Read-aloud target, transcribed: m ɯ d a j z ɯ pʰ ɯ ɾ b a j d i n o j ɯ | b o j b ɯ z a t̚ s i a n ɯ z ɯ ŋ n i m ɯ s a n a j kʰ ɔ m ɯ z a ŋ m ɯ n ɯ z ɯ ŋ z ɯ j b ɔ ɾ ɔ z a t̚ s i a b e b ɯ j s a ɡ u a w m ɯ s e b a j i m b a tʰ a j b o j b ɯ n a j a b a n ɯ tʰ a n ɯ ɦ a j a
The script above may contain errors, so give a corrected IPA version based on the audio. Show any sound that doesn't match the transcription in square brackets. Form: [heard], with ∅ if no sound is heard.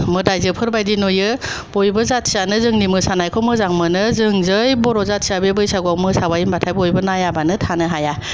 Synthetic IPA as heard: m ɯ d a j z ɯ pʰ ɯ ɾ b a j d i n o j ɯ | b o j b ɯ z a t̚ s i a n ɯ z ɯ ŋ n i m ɯ s a n a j kʰ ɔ m ɯ z a ŋ m ɯ n ɯ z ɯ ŋ z ɯ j b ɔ ɾ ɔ z a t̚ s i a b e b ɯ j s a ɡ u a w m ɯ s [a] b a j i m b a tʰ a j b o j b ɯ n a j a b a n ɯ tʰ a n ɯ ɦ a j a